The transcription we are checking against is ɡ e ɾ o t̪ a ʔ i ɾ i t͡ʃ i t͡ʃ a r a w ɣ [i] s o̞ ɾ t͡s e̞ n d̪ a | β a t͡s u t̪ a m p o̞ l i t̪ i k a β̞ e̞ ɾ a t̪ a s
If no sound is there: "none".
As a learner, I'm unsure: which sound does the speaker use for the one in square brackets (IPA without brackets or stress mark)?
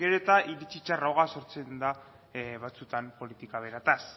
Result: a